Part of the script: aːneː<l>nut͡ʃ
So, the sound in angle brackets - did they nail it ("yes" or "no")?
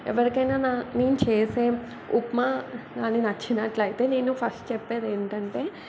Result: no